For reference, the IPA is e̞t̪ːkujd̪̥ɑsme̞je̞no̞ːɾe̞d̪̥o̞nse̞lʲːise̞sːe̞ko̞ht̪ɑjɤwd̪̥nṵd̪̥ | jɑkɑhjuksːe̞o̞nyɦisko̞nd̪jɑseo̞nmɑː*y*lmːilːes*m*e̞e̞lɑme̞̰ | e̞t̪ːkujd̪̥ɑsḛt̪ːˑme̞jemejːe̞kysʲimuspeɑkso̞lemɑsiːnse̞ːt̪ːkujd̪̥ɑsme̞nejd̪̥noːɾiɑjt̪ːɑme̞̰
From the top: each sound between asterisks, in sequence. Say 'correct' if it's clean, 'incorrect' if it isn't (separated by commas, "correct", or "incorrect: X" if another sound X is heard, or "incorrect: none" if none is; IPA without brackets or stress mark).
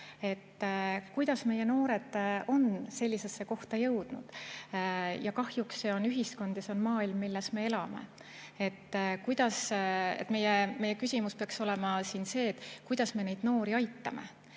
incorrect: i, correct